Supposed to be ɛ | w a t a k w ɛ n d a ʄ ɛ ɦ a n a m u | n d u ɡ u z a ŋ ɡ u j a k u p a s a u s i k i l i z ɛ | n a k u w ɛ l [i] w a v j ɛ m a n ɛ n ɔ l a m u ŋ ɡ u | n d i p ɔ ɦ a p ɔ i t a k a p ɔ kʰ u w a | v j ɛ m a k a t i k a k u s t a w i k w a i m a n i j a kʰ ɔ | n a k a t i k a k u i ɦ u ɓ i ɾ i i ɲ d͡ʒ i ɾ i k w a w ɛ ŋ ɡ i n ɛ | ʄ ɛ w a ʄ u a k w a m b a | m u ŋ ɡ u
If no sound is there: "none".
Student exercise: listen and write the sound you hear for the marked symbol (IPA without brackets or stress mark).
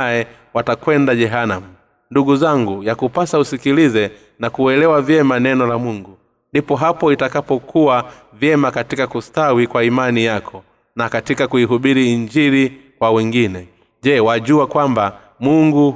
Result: ɛ